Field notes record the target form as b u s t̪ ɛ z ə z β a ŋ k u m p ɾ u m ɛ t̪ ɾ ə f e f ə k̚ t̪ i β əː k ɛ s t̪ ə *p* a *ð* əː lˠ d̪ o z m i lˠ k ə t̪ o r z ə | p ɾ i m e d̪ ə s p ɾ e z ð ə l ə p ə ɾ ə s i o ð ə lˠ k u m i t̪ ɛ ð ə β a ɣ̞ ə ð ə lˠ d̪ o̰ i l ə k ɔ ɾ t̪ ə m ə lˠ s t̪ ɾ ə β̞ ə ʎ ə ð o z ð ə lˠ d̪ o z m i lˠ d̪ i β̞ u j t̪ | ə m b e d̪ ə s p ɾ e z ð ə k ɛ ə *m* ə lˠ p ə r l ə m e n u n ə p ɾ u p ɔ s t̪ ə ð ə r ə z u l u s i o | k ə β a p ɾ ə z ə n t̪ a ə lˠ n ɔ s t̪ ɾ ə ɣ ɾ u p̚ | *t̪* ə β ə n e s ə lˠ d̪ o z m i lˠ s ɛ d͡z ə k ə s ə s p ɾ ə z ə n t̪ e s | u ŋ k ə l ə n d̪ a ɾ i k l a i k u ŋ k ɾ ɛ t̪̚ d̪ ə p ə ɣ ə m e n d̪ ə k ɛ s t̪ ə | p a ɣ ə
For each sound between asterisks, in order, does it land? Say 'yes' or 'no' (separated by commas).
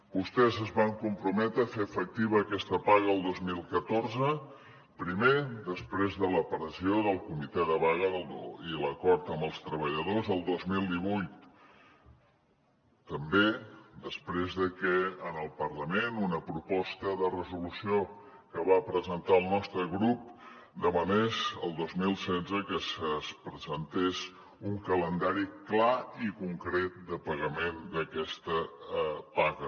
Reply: yes, no, no, no